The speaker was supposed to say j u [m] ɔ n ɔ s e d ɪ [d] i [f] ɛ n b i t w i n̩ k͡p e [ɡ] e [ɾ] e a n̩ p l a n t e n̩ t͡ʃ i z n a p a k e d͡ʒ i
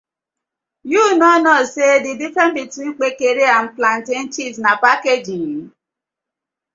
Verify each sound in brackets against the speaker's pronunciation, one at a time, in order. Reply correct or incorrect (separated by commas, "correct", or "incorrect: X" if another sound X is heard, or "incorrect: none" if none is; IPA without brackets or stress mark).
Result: incorrect: n, correct, correct, incorrect: k, correct